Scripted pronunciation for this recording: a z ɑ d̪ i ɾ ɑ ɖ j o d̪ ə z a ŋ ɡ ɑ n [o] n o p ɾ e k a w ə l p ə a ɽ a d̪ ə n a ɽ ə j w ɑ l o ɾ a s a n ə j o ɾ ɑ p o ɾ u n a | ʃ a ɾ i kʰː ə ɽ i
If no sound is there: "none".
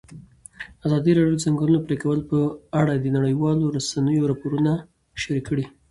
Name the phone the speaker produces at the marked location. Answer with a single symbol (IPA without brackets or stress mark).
u